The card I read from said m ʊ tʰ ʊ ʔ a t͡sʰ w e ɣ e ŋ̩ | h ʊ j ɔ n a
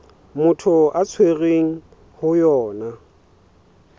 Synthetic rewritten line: m ʊ tʰ ʊ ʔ a t͡sʰ w e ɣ e ŋ̩ | h ʊ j ɔː n a

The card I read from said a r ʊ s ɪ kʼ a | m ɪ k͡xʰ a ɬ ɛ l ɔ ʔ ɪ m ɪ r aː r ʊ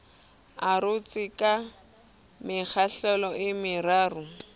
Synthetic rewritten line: a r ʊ t͡s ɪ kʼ a | m ɪ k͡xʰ a ɬ ɛ l ɔ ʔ ɪ m ɪ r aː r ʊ

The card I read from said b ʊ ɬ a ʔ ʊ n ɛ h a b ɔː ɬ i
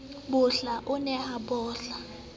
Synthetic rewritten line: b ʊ ɬ a ʔ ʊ n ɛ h a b ɔː ɬ a

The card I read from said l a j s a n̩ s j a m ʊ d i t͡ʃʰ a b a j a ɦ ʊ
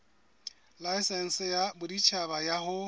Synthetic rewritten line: l a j s ɛ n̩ s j a b ʊ d i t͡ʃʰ a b a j a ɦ ʊ

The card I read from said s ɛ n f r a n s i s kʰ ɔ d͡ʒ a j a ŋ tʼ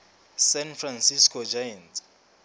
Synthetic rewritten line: s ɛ n f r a n s i s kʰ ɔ d͡ʒ a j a n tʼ

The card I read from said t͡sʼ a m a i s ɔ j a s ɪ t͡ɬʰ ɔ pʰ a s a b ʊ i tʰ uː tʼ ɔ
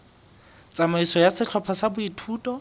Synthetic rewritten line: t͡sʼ a m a i s ɔ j a s ɪ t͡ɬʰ ɔ pʰ a s a b ʊ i tʰ uː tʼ ɔ

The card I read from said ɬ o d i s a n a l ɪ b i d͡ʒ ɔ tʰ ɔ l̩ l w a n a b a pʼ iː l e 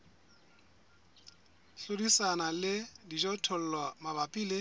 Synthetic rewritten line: ɬ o d i s a n a l ɪ d i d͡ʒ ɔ tʰ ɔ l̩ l w a m a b a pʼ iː l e

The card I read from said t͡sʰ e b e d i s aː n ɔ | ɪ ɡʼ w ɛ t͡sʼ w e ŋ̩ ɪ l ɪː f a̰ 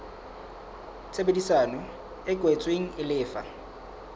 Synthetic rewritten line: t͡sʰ e b e d i s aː n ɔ | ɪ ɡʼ w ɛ t͡sʼ w e ŋ̩ ɪ l ɪː f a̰

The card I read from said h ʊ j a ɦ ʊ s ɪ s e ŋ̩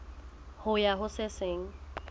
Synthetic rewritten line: h ʊ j a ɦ ʊ s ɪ s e ŋ̩

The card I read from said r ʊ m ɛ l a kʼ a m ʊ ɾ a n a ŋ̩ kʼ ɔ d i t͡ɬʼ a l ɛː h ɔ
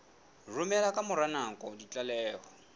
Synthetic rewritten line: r ʊ m ɛ l a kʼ a m ʊ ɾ a n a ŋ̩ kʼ ɔ d i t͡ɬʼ a l ɛː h ɔ

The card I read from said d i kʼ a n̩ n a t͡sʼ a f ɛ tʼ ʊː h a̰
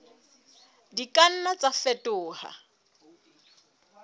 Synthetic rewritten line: d i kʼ a n̩ n a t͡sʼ a f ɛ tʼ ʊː h a̰

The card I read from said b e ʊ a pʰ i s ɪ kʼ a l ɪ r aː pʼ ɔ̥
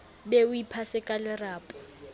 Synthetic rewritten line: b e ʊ i pʰ a s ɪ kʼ a l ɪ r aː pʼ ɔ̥

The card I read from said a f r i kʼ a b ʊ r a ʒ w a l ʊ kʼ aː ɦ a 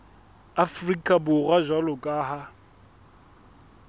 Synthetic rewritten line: a f r i kʼ a b ʊ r a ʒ w a l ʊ kʼ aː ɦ a

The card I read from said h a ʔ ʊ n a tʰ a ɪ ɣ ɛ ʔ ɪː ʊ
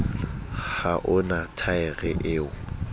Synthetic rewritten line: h a ʔ ʊ n a tʰ a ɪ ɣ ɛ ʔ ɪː ʊ

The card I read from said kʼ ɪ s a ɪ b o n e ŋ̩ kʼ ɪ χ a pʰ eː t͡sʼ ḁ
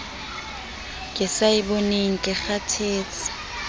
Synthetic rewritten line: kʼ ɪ s a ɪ b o n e ŋ̩ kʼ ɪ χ a tʰ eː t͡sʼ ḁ

